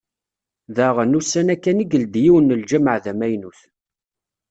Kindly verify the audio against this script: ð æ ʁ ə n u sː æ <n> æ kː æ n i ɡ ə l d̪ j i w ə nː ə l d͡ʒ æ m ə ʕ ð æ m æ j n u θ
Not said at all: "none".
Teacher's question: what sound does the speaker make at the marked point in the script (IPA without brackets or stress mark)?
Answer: n